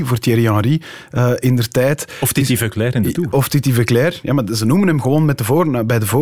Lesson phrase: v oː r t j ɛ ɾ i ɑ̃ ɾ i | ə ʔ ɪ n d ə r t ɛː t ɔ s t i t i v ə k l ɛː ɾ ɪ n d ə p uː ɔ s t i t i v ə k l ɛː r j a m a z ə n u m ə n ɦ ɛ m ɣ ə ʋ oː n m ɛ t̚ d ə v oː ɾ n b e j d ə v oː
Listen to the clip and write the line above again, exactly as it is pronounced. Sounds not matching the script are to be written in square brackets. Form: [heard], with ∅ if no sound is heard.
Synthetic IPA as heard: v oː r t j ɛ ɾ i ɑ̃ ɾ i | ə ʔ ɪ n d ə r t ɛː t ɔ [f] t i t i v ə k l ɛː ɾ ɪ n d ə [t] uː ɔ [f] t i t i v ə k l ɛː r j a m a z ə n u m ə n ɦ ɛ m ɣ ə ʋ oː n m ɛ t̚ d ə v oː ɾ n b [ɛ] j d ə v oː